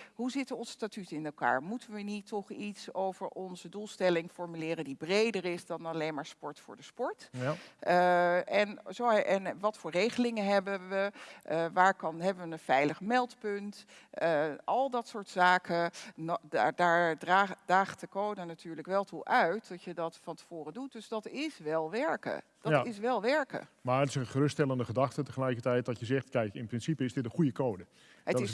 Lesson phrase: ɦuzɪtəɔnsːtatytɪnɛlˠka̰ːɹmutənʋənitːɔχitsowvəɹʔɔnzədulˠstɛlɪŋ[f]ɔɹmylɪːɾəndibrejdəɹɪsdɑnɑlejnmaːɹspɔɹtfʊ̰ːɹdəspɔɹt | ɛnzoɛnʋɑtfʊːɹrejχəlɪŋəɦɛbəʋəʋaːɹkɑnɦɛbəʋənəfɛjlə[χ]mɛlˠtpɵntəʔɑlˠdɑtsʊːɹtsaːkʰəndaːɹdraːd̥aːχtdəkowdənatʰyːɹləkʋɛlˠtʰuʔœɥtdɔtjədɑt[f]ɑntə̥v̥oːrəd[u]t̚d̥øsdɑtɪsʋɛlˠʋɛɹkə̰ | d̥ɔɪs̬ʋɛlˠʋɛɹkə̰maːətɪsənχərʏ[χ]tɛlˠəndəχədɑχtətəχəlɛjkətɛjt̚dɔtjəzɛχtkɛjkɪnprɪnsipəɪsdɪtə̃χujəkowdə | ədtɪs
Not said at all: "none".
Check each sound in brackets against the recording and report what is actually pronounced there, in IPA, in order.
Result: f, χ, f, u, s

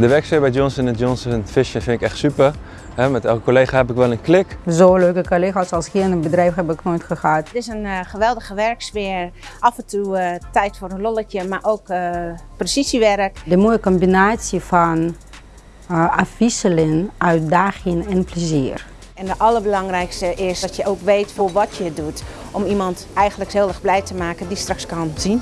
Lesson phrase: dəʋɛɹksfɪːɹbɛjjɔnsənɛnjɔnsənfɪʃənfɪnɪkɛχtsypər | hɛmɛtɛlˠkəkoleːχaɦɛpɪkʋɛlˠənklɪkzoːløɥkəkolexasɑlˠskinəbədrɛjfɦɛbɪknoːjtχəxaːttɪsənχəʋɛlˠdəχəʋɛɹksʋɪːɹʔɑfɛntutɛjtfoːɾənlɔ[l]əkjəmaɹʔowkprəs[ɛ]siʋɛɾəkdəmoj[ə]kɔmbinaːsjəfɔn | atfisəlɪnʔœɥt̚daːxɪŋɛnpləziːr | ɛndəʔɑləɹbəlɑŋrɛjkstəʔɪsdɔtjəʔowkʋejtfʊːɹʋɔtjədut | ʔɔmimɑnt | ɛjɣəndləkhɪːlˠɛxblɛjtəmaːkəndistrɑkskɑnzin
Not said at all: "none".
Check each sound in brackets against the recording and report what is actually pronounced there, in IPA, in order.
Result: l, i, ə

